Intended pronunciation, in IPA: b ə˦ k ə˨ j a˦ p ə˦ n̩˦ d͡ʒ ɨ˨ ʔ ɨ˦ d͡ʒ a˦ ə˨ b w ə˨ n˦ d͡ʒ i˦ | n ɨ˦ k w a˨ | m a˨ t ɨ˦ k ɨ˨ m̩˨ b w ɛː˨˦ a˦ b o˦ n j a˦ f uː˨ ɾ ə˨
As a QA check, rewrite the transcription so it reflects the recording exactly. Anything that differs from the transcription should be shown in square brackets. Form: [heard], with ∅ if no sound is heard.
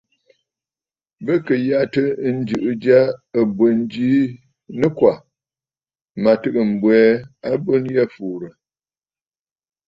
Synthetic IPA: b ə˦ k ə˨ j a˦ [t] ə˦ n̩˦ d͡ʒ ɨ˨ ʔ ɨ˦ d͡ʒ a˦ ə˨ b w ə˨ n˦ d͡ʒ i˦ | n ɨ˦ k w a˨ | m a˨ t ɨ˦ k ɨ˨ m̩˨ b w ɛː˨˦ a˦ b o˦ n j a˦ f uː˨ ɾ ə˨